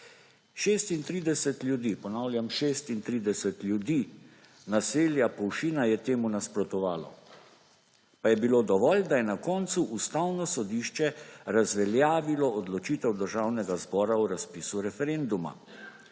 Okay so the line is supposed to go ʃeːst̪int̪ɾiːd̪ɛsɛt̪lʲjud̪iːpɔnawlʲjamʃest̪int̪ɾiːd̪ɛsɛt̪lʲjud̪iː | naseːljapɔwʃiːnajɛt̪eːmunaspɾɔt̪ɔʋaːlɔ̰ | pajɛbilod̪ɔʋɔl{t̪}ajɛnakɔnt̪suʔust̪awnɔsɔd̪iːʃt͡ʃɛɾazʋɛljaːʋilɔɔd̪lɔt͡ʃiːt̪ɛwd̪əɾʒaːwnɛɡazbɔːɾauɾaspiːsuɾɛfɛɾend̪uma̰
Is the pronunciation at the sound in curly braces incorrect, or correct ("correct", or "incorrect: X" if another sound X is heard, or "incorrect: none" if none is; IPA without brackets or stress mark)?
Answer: incorrect: d̪